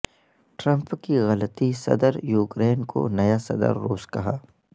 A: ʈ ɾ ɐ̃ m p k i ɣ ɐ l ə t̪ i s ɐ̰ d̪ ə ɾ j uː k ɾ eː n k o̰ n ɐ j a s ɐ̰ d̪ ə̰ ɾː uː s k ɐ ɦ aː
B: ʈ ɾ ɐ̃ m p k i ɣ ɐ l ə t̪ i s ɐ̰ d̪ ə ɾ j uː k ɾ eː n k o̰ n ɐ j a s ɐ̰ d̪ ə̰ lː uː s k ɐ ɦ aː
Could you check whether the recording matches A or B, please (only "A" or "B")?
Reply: A